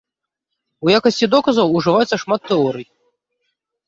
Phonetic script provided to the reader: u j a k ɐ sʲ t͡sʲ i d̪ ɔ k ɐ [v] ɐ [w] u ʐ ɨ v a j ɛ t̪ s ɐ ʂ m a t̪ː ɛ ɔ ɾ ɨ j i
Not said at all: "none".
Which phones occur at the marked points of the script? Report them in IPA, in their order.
z, w

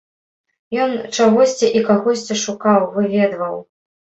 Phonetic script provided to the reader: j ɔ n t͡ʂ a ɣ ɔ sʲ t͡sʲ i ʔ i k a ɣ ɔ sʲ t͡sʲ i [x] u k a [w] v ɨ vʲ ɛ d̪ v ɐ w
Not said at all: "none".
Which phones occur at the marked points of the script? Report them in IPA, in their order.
ʂ, w

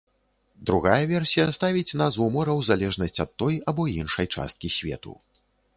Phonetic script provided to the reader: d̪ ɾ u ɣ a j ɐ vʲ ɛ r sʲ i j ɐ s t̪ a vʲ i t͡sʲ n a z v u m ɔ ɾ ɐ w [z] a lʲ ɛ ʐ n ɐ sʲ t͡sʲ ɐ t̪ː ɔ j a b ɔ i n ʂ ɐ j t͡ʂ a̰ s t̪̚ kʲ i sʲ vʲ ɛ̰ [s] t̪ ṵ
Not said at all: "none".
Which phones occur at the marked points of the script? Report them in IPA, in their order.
z, none

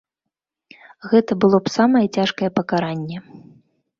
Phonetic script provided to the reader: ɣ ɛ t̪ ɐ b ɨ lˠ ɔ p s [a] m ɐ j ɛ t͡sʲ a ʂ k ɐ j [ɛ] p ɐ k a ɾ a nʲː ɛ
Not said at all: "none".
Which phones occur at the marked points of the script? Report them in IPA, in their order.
a, ɛ

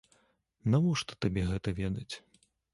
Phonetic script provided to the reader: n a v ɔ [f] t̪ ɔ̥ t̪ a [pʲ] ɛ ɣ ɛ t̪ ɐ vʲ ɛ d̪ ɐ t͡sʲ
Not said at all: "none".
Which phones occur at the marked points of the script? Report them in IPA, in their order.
ʂ, bʲ

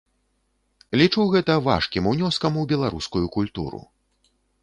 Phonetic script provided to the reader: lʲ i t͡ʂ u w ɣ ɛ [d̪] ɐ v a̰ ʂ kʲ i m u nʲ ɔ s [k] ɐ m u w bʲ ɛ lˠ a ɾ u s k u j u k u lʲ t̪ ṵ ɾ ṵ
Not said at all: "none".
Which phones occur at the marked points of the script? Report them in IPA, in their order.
t̪, k

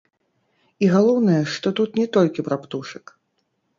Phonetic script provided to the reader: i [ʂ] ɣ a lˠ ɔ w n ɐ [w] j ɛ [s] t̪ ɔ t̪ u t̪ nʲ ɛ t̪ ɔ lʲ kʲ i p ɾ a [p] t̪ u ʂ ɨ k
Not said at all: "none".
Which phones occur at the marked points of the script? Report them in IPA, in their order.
none, none, ʂ, p

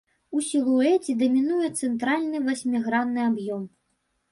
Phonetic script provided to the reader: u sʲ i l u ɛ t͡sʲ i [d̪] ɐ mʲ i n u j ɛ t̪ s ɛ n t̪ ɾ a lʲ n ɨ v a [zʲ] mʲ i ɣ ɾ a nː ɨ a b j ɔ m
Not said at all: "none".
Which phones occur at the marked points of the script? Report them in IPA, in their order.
d̪, sʲ

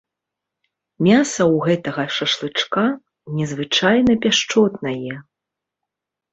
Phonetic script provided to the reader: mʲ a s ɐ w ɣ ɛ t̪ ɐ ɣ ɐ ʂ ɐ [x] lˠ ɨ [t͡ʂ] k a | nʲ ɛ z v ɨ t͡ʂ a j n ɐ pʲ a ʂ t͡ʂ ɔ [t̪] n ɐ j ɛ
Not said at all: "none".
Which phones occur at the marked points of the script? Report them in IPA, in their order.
ʂ, t͡ʂ, t̪

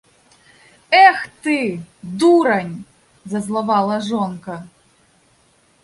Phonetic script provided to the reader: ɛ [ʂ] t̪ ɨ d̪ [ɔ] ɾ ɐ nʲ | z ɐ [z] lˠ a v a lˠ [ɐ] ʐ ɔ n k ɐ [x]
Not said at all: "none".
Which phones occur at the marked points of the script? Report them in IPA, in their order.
x, u, z, ɐ, none

